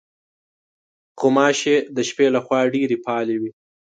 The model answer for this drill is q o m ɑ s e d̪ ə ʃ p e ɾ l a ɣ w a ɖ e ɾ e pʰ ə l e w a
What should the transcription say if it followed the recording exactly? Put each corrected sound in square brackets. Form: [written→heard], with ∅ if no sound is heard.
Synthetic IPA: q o m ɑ [s→ʃ] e d̪ ə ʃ p e [ɾ→∅] l a [ɣ→x] w [a→ɑ] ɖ e ɾ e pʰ [ə→ɑ] l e w [a→i]

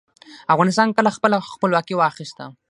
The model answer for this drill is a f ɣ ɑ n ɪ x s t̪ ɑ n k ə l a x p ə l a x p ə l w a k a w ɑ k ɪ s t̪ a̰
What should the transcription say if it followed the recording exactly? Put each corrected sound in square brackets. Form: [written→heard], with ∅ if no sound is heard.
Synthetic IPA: a f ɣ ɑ n ɪ [x→∅] s t̪ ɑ n k ə l a x p ə l a x p ə l w [a→ɑ] k [a→i] w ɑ [k→x] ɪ s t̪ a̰

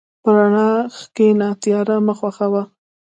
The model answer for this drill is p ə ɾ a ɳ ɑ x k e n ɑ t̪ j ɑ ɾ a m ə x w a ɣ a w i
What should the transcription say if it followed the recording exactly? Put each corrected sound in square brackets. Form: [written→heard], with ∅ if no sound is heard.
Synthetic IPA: p ə ɾ a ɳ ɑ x k e n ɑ t̪ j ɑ ɾ a m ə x w a [ɣ→x] a w [i→a]

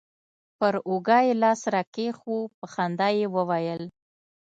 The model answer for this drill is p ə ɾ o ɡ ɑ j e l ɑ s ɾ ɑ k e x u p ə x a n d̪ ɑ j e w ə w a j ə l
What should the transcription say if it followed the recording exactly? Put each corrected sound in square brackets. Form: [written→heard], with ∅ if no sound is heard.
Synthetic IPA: p ə ɾ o ɡ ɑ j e l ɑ s ɾ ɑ k e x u p ə x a n d̪ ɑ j e w ə w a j ə l

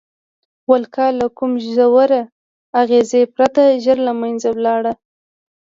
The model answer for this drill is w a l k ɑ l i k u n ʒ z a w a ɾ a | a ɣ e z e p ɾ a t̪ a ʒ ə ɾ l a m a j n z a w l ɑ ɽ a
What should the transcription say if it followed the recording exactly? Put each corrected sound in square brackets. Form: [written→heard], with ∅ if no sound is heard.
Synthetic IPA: w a l k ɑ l [i→a] k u [n→m] ʒ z a w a ɾ a | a ɣ e z e p ɾ a t̪ a ʒ ə ɾ l a m a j n z a w l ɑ ɽ a

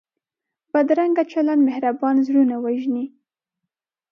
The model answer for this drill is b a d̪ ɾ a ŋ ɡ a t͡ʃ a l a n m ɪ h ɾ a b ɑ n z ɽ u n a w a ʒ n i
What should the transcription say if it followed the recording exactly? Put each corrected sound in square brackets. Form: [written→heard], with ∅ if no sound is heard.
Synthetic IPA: b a d̪ ɾ a ŋ ɡ a t͡ʃ a l a n m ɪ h ɾ a b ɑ n z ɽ u n a w a ʒ n i

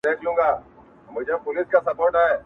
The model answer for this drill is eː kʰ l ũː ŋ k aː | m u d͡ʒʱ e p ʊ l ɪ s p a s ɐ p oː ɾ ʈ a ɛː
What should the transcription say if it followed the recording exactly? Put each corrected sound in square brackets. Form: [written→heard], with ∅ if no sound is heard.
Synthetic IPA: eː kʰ l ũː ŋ [k→ɡ] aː | m [u→ʊ] d͡ʒʱ e p ʊ l ɪ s [p→k] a s ɐ p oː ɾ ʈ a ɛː

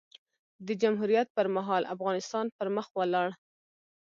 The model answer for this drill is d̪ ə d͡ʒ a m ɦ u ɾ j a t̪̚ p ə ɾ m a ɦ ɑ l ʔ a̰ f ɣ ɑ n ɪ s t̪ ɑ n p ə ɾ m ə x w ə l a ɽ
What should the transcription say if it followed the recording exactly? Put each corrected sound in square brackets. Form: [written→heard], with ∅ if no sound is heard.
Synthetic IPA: d̪ ə d͡ʒ a m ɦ u ɾ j a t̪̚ p ə ɾ m a ɦ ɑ l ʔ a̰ f ɣ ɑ n ɪ s t̪ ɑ n p ə ɾ m ə x w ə l [a→ɑ] ɽ

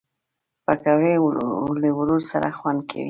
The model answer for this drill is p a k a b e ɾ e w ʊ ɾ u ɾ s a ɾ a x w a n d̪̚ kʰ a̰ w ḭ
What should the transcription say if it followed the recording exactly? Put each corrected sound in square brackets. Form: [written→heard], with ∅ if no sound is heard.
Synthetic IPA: p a k a [b→w] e [ɾ→l] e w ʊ ɾ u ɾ s a ɾ a x w a n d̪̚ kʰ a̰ w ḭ

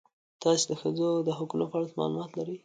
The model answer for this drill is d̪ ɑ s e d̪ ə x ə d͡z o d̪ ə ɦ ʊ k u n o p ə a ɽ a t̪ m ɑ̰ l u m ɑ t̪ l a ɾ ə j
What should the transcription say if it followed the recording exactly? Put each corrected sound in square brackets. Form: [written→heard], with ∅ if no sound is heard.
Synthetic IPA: [d̪→t̪] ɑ s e d̪ ə x ə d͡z o d̪ ə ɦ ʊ k u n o p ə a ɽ a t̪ m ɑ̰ l u m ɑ t̪ l a ɾ ə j

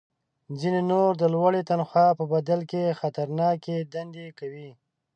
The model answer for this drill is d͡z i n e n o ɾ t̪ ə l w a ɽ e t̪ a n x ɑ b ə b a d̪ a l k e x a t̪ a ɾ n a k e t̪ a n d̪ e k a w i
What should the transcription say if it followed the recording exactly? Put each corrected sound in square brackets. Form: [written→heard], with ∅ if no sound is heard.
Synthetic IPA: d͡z i n e n o ɾ [t̪→d̪] ə l w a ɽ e t̪ a n x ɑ [b→p] ə b a d̪ a l k e x a t̪ a ɾ n [a→ɑ] k e [t̪→d̪] a n d̪ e k a w i

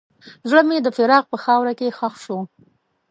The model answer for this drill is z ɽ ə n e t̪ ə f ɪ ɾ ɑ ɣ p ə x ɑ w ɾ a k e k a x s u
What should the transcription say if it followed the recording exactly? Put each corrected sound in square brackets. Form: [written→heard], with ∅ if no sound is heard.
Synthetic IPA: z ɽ ə [n→m] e [t̪→d̪] ə f ɪ ɾ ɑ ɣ p ə x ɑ w ɾ a k e [k→x] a x [s→ʃ] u

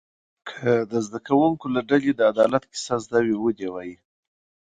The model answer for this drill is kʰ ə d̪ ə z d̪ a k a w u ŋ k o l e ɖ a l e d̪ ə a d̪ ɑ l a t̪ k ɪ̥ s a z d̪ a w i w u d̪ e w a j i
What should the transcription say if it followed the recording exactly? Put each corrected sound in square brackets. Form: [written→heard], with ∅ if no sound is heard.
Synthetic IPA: kʰ ə d̪ ə z d̪ a k a w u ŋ k o l [e→a] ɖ a l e d̪ ə a d̪ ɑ l a t̪ k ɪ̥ s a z d̪ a w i w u d̪ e w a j i

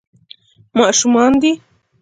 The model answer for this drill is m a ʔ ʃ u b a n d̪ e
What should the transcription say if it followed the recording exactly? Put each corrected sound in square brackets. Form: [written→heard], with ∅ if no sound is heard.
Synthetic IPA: m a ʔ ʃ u [b→m] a n d̪ [e→i]

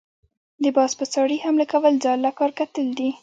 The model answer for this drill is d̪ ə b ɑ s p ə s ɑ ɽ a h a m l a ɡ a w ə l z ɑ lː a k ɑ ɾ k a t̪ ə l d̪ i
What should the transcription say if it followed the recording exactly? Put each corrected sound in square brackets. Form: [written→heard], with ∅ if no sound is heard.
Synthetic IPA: d̪ ə b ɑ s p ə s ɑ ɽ [a→i] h a m l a [ɡ→k] a w ə l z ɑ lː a k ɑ ɾ k a t̪ ə l d̪ i

